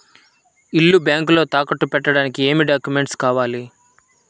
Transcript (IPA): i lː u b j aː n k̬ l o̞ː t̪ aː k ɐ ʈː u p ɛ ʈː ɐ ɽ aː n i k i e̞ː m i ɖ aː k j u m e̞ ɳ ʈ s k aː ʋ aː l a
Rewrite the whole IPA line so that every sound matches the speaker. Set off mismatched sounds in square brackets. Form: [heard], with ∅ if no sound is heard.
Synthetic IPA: i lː u b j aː [ŋ] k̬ l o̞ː t̪ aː k ɐ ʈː u p ɛ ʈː ɐ ɽ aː n i k i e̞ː m i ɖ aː k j u m e̞ ɳ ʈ s k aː ʋ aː l [i]